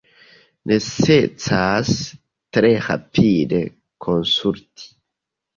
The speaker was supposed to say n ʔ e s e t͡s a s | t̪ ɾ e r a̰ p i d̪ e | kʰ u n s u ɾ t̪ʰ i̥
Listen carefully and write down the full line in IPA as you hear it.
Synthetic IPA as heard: n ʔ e s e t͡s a s | t̪ ɾ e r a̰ p i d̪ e | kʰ o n s u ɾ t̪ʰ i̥